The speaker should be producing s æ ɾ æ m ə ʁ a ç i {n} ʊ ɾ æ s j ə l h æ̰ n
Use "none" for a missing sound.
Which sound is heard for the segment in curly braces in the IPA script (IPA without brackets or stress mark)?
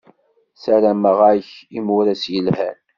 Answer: m